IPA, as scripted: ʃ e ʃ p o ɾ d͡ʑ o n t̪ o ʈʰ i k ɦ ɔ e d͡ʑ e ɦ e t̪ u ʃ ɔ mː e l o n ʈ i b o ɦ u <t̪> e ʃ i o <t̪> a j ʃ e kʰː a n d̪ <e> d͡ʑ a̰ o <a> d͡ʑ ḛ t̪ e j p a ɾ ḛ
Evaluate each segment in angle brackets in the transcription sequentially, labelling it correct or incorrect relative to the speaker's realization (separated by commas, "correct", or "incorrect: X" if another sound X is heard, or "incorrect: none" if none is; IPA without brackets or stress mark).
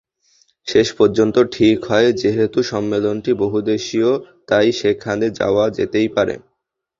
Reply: incorrect: d̪, correct, correct, correct